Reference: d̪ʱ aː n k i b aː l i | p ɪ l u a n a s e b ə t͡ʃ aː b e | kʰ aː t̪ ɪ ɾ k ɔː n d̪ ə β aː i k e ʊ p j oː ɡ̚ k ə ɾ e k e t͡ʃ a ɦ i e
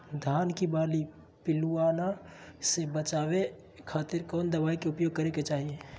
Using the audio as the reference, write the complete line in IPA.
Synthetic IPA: d̪ʱ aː n k i b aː l i | p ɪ l u a n a s e b ə t͡ʃ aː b e | kʰ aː t̪ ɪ ɾ k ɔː n d̪ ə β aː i k e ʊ p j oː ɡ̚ k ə ɾ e k e t͡ʃ a ɦ i e